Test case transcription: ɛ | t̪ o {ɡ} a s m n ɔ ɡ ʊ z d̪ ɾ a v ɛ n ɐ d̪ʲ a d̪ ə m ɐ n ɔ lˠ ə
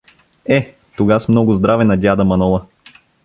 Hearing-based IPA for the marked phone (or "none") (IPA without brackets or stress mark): ɡ